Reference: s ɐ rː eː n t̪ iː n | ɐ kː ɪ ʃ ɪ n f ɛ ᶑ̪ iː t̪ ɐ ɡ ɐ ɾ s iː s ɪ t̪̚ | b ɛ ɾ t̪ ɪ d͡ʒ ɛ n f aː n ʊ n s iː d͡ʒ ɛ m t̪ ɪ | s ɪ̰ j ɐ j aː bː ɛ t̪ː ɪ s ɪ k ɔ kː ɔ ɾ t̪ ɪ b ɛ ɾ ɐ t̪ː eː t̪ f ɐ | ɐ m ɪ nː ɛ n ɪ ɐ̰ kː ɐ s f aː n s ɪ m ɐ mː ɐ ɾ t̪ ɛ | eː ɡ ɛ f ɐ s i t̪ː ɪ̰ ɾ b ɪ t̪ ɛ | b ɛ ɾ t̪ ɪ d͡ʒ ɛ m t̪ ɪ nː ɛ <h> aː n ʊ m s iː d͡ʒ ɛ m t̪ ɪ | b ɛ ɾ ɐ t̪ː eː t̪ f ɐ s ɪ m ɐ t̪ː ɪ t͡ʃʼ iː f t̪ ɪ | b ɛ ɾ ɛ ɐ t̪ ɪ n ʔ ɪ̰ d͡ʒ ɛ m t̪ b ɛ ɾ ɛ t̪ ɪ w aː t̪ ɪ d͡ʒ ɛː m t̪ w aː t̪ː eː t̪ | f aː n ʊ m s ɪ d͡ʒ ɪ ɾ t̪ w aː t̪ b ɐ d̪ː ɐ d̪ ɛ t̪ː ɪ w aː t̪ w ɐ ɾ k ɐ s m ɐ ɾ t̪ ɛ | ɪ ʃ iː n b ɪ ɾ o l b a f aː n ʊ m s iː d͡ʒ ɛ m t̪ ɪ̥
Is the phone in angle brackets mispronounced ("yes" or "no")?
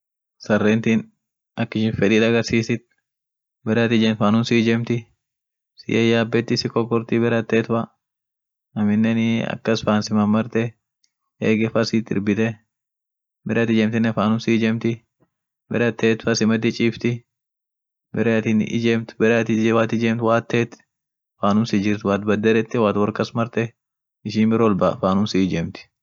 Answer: yes